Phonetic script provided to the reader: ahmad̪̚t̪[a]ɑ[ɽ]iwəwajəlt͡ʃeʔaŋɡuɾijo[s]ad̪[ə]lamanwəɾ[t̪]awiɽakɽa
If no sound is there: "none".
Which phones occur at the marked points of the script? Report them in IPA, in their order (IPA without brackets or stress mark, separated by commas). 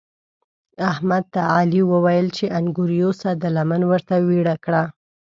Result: a, l, s, ə, t̪